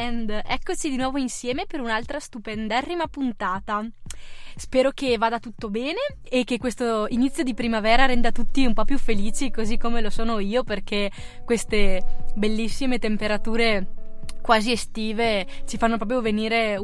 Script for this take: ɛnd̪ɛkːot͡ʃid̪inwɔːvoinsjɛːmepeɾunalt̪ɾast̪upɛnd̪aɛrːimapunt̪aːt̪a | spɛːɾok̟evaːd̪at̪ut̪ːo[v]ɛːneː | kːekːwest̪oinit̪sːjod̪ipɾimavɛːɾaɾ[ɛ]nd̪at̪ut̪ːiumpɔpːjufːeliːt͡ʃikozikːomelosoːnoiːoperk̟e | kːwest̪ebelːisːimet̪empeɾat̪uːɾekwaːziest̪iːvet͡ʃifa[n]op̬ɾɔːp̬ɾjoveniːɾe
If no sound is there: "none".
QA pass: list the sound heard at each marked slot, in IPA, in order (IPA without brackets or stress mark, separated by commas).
b, ɛ, nː